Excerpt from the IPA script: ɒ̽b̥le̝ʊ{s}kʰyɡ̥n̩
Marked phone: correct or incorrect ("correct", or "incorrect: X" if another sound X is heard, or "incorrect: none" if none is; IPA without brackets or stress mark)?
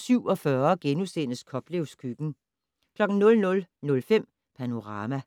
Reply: correct